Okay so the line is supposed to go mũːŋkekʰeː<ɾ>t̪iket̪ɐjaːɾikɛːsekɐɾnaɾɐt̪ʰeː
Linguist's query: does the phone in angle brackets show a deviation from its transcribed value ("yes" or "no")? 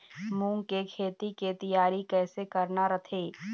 yes